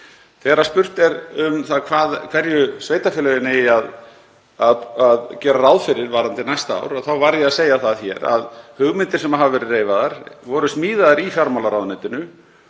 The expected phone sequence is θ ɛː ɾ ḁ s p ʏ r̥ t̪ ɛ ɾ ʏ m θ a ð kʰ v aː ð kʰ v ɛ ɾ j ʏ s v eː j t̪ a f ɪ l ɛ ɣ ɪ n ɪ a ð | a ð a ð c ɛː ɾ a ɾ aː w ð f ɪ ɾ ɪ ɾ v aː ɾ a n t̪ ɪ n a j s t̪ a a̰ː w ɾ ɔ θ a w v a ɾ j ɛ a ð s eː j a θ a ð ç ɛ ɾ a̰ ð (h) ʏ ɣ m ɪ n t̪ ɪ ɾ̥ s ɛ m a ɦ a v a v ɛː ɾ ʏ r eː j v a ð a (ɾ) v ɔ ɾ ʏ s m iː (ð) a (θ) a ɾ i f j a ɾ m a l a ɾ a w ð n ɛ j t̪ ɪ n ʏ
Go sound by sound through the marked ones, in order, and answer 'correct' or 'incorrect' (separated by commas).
correct, correct, correct, incorrect